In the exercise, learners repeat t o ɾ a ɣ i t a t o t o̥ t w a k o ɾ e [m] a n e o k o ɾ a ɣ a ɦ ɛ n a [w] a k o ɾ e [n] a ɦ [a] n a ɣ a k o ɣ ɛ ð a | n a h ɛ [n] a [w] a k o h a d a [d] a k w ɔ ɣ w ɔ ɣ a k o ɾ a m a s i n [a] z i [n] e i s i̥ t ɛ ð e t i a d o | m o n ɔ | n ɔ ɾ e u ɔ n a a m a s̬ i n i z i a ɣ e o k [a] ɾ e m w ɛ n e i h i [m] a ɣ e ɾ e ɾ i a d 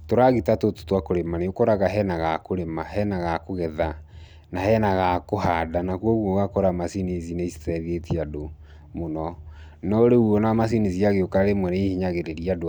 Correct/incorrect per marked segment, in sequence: correct, incorrect: ɣ, incorrect: m, incorrect: ɛ, correct, incorrect: ɣ, incorrect: n, incorrect: i, correct, correct, incorrect: ɲ

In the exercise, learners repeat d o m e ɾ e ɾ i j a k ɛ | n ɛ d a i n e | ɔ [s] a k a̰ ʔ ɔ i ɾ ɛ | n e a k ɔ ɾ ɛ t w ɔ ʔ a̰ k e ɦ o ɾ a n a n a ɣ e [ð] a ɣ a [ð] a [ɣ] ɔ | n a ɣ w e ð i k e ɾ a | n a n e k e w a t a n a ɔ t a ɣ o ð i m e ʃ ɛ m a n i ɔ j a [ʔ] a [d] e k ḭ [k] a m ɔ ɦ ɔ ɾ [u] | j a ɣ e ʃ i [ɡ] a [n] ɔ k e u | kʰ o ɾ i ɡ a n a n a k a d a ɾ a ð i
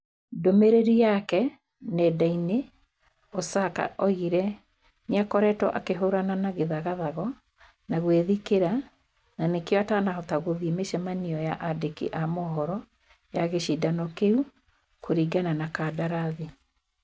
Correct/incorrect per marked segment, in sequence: correct, correct, correct, correct, correct, correct, incorrect: ʔ, incorrect: ɔ, incorrect: d, correct

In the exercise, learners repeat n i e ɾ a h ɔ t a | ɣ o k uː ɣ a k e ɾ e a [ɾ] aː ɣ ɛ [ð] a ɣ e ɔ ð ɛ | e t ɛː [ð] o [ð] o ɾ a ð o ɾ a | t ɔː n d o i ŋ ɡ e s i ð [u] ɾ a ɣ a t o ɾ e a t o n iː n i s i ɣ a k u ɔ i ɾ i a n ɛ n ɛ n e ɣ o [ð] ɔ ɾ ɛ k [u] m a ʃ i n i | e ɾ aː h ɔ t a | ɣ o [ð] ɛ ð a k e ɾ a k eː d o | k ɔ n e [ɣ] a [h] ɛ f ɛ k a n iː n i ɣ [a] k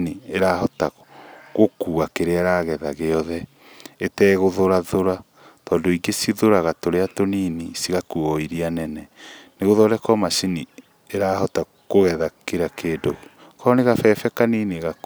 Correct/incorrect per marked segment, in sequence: correct, correct, incorrect: ɣ, correct, incorrect: o, correct, incorrect: ɔ, incorrect: ɣ, correct, incorrect: f, correct

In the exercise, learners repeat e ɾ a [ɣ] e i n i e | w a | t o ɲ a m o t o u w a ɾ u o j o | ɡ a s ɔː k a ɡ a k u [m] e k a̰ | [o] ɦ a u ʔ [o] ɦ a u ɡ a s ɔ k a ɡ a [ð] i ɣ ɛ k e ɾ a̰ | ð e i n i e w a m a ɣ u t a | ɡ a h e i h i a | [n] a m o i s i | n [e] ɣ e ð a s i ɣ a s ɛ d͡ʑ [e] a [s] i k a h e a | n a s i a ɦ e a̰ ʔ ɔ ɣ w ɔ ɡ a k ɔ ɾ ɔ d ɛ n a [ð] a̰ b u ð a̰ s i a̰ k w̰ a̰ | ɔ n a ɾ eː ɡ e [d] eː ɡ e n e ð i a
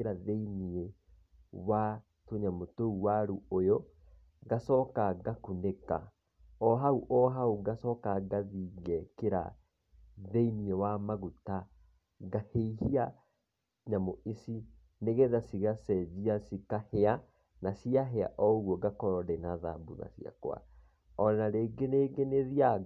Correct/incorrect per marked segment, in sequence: incorrect: ð, incorrect: n, incorrect: ɔ, incorrect: ɔ, correct, incorrect: ɲ, correct, incorrect: i, correct, correct, incorrect: n

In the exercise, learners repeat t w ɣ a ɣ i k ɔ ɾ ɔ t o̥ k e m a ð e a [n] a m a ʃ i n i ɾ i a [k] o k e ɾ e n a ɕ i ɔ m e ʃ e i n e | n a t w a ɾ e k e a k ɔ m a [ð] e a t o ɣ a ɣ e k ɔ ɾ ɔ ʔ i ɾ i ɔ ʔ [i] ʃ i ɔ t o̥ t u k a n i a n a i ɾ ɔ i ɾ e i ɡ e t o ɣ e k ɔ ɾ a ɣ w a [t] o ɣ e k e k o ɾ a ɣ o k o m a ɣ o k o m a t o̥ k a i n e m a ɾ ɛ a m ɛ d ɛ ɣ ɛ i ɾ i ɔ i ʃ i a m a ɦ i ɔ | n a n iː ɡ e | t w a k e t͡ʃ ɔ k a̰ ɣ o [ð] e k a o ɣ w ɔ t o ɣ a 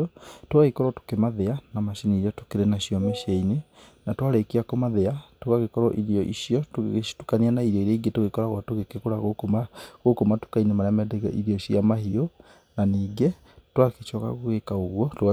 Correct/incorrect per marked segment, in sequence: correct, incorrect: t, correct, correct, correct, incorrect: ɣ

